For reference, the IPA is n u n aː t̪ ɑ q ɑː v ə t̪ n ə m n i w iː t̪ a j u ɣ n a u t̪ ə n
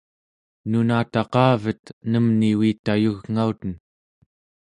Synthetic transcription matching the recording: n u n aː t̪ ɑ q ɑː v ə t̪ n ə m n i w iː t̪ a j u ɣ ŋ a u t̪ ə n